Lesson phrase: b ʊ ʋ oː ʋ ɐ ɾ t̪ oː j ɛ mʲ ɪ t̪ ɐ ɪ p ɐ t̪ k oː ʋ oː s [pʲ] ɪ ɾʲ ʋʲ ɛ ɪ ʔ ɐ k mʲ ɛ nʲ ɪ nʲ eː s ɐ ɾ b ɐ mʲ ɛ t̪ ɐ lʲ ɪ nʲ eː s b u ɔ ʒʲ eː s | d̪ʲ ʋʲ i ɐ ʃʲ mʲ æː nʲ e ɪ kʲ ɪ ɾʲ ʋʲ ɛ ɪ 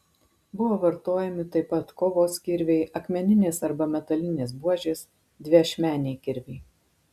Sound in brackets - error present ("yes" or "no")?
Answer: yes